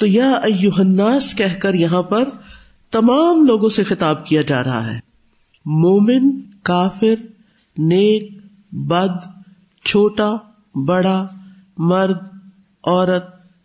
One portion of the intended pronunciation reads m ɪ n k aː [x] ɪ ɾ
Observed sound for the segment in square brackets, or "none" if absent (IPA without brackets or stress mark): f